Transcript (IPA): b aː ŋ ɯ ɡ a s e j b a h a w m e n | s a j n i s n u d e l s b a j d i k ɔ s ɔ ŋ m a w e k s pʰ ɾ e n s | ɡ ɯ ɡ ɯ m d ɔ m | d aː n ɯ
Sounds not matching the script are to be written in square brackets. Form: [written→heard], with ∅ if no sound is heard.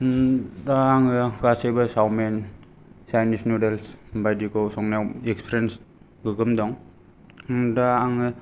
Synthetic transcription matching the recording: [b→d] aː ŋ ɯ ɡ a s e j b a [h→s] a w m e n | s a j n i s n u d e l s b a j d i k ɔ s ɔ ŋ [m→n] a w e k s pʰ ɾ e n s | ɡ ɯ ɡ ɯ m d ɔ [m→ŋ] | d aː [n→ŋ] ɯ